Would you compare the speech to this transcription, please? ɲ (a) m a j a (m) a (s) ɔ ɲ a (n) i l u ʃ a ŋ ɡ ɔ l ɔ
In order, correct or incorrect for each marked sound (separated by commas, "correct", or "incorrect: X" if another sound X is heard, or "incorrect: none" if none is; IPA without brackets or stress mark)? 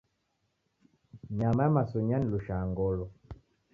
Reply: correct, correct, correct, correct